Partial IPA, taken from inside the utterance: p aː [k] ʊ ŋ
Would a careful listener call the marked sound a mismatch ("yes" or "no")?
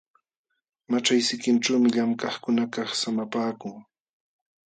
no